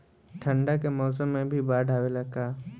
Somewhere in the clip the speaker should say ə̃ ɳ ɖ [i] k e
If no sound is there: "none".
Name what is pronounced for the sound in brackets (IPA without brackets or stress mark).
a